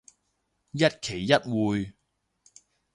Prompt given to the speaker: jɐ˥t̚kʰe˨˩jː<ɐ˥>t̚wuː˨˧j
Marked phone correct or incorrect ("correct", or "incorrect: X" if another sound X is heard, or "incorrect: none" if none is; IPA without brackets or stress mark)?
correct